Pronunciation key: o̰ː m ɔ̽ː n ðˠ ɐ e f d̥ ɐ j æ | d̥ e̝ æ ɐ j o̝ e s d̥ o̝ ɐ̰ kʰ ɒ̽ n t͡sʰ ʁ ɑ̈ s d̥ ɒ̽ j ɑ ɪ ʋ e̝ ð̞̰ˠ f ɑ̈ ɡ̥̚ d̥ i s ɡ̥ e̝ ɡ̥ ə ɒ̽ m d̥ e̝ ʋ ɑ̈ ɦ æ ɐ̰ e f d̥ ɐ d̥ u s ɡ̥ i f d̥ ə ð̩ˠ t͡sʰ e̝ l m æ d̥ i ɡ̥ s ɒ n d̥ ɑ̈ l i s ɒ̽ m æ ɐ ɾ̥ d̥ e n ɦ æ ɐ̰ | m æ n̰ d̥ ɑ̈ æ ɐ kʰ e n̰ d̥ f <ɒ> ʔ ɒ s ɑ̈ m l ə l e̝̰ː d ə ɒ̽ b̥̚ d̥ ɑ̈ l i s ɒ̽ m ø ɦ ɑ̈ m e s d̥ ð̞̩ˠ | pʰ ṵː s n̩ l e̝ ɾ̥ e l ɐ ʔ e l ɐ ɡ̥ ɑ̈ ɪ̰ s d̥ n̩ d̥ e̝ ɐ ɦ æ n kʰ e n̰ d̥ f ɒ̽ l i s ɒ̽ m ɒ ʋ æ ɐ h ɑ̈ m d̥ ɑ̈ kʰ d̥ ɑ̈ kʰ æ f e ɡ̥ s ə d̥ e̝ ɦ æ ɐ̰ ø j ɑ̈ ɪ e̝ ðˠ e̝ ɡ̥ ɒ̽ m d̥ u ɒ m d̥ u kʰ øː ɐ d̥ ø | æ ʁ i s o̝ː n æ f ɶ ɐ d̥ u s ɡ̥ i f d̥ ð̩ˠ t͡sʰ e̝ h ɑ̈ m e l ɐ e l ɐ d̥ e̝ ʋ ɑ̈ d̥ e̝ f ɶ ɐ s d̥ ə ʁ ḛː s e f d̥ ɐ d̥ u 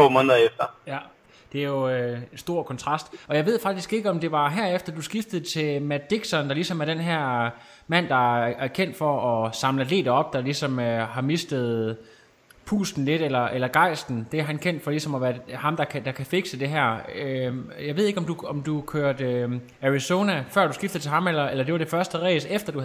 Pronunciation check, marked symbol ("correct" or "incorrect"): correct